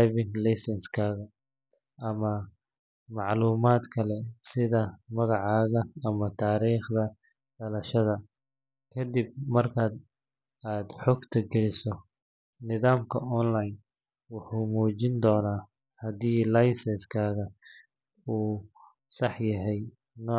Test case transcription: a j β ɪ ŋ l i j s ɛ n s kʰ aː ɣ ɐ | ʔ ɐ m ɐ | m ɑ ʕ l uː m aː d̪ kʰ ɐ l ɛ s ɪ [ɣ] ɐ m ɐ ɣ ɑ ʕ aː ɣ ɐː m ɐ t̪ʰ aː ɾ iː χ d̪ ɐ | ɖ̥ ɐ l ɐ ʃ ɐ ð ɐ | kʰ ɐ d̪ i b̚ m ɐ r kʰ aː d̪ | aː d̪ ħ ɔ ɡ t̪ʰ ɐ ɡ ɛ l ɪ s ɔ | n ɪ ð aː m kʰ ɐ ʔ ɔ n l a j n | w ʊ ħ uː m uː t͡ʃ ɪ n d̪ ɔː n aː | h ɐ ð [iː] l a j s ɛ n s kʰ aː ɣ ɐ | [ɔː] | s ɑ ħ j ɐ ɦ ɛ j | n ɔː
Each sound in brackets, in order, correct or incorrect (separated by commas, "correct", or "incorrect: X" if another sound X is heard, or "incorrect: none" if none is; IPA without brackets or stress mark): incorrect: ð, correct, incorrect: uː